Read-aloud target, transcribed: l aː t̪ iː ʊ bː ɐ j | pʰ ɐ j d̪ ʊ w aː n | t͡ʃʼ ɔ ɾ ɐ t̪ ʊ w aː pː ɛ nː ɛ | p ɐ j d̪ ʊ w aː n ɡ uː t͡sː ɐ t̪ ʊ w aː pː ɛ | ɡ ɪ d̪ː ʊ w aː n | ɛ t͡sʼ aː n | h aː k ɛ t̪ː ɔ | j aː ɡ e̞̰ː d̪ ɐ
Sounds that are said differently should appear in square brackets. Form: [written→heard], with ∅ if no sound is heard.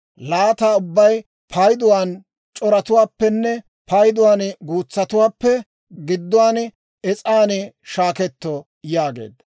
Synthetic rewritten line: l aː t̪ [iː→aː] ʊ bː ɐ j | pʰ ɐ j d̪ ʊ w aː n | t͡ʃʼ ɔ ɾ ɐ t̪ ʊ w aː pː ɛ nː ɛ | p ɐ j d̪ ʊ w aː n ɡ uː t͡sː ɐ t̪ ʊ w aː pː ɛ | ɡ ɪ d̪ː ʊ w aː n | ɛ t͡sʼ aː n | [h→ʃ] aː k ɛ t̪ː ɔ | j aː ɡ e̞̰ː d̪ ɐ

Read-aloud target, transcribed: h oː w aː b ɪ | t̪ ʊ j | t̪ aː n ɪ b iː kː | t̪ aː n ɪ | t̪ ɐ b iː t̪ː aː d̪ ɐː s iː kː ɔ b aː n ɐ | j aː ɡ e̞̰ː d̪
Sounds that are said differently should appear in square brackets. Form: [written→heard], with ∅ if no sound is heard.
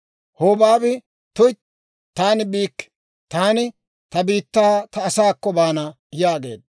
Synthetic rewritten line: h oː [w→b] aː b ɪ | t̪ ʊ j | t̪ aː n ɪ b iː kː | t̪ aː n ɪ | t̪ ɐ b iː t̪ː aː [d̪→t̪] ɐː s [iː→aː] kː ɔ b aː n ɐ | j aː ɡ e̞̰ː d̪

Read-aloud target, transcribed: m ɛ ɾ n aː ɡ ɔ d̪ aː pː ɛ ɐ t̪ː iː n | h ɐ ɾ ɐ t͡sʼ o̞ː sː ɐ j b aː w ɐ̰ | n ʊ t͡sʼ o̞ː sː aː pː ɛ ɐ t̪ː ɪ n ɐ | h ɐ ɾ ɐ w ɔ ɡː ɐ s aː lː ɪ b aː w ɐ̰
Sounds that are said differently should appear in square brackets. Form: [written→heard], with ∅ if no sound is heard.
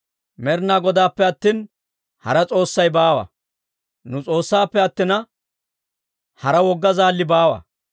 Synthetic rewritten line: m ɛ ɾ n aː ɡ ɔ d̪ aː pː ɛ ɐ t̪ː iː n | h ɐ ɾ ɐ t͡sʼ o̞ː sː ɐ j b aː w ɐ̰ | n ʊ t͡sʼ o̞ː sː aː pː ɛ ɐ t̪ː ɪ n ɐ | h ɐ ɾ ɐ w ɔ ɡː ɐ [s→z] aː lː ɪ b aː w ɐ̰

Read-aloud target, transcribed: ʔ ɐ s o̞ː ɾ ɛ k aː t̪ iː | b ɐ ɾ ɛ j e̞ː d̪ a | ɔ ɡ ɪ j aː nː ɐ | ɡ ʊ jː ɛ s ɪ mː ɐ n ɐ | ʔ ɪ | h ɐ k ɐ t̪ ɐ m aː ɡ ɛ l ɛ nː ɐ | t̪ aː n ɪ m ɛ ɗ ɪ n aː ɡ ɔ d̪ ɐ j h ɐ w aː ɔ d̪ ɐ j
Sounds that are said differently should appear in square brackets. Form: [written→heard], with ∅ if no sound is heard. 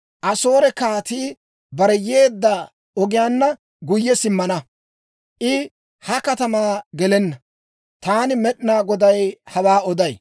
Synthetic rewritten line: ʔ ɐ s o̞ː ɾ ɛ k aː t̪ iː | b ɐ ɾ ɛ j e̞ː [d̪→d̪ː] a | ɔ ɡ ɪ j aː nː ɐ | ɡ ʊ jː ɛ s ɪ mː ɐ n ɐ | ʔ ɪ | h ɐ k ɐ t̪ ɐ m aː ɡ ɛ l ɛ nː ɐ | t̪ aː n ɪ m ɛ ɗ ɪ n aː ɡ ɔ d̪ ɐ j h ɐ w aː ɔ d̪ ɐ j

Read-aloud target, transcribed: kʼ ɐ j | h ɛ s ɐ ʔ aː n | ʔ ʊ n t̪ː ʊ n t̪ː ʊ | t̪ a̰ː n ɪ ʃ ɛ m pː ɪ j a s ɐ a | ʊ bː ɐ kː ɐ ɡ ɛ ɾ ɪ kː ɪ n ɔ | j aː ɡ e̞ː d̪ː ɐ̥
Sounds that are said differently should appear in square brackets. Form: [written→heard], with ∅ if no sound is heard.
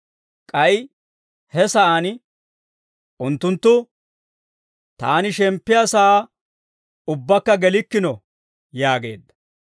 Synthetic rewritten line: kʼ ɐ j | h ɛ s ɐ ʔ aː n | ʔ ʊ n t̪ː ʊ n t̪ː ʊ | t̪ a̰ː n ɪ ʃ ɛ m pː ɪ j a s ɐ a | ʊ bː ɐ kː ɐ ɡ ɛ [ɾ→l] ɪ kː ɪ n ɔ | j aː ɡ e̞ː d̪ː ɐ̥

